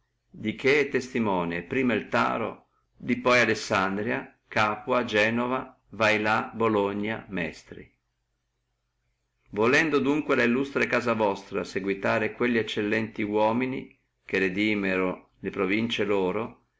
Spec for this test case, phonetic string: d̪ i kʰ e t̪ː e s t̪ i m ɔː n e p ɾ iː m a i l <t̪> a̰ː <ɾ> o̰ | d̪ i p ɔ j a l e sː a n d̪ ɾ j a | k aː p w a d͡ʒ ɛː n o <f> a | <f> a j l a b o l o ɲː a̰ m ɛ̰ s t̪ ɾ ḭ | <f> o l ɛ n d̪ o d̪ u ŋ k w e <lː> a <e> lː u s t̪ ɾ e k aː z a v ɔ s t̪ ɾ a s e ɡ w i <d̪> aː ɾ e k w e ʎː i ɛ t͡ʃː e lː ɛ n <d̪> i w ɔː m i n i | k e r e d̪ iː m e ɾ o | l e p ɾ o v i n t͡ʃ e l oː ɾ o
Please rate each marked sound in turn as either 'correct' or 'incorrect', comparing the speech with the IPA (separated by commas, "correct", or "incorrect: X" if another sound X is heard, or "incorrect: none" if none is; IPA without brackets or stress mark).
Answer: correct, correct, incorrect: v, incorrect: v, incorrect: v, incorrect: l, incorrect: i, incorrect: t̪, incorrect: t̪